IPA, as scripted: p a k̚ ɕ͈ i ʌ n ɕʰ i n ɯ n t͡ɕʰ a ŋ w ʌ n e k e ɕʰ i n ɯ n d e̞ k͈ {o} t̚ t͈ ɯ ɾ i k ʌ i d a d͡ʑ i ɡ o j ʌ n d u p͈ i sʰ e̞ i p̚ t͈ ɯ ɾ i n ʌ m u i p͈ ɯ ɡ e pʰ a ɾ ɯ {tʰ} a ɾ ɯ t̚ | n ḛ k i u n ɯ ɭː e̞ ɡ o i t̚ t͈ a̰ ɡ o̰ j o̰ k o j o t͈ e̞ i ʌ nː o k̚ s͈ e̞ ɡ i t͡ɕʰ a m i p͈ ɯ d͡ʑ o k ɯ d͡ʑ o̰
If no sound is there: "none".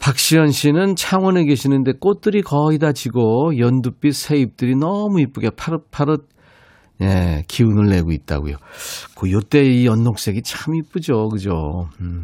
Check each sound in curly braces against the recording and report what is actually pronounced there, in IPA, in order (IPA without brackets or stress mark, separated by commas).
o, pʰ